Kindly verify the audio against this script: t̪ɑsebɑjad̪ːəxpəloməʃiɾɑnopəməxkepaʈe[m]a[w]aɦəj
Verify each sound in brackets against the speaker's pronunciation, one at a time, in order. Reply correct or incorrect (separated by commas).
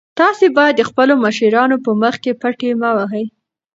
correct, correct